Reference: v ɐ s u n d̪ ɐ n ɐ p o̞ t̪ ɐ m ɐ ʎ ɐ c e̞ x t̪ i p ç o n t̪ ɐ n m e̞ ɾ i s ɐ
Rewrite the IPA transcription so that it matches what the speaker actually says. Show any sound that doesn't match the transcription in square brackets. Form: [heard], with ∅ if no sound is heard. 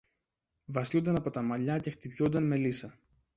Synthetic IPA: v ɐ s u n d̪ ɐ n ɐ p o̞ t̪ ɐ m ɐ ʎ ɐ c e̞ x t̪ i p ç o n [d̪] ɐ n m e̞ [l] i s ɐ